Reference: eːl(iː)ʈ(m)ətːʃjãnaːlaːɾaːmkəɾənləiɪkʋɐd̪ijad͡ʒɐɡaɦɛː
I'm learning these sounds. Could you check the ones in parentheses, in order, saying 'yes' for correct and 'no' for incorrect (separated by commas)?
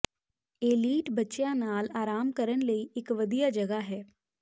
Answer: yes, no